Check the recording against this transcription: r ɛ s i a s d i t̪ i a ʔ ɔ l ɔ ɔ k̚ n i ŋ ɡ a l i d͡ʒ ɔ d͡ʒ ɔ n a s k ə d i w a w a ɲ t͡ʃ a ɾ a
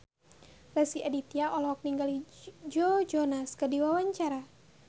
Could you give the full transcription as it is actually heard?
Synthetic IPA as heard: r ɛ s i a d i t̪ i a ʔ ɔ l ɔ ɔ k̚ n i ŋ ɡ a l i d͡ʒ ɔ d͡ʒ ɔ n a s k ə d i w a w a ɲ t͡ʃ a ɾ a